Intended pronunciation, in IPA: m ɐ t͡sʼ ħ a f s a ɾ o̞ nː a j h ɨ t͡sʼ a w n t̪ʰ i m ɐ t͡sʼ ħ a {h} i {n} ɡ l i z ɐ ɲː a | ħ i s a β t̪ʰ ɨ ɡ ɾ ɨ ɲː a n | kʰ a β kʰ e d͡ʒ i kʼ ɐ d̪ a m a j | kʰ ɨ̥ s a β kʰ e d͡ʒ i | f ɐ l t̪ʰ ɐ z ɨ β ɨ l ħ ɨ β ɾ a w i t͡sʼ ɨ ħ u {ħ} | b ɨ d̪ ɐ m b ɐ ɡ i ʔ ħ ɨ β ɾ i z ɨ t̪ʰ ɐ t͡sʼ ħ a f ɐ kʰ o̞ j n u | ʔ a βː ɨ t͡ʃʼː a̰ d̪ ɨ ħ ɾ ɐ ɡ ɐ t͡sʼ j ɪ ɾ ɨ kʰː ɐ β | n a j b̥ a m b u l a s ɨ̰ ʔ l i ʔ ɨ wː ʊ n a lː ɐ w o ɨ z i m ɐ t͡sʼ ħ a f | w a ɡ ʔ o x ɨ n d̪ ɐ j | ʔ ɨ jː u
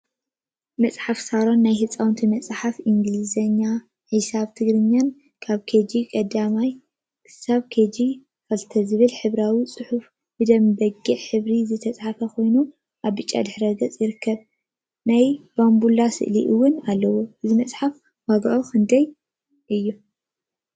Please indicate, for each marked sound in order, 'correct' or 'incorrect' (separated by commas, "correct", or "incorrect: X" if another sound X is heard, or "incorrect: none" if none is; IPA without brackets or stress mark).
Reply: incorrect: f, incorrect: ŋ, incorrect: f